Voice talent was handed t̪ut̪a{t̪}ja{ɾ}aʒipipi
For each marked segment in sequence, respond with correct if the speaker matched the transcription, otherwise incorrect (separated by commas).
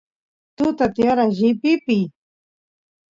correct, correct